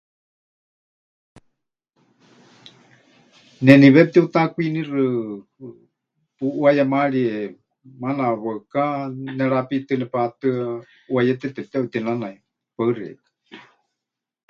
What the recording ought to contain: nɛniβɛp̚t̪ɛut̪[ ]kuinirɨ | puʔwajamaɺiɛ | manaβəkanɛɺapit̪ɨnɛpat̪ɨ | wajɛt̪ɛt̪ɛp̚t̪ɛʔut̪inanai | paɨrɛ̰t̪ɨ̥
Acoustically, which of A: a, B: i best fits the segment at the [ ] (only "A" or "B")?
A